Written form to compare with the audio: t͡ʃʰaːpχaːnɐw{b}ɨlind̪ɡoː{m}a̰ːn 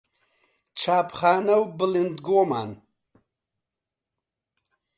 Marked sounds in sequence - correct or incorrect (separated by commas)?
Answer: correct, correct